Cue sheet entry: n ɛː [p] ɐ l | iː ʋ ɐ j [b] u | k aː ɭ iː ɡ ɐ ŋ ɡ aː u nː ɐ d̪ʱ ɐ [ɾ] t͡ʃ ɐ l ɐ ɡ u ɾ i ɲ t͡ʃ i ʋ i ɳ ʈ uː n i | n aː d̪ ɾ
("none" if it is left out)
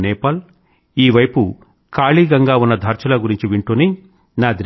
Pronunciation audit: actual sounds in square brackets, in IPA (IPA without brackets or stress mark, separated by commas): p, p, ɾ